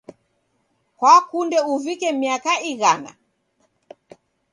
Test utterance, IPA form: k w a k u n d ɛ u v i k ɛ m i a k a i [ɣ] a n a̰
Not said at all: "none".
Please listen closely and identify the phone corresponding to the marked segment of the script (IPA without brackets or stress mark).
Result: ɣ